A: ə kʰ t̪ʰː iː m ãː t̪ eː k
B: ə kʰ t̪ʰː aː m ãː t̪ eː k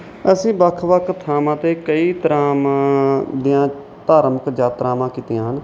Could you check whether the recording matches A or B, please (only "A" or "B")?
B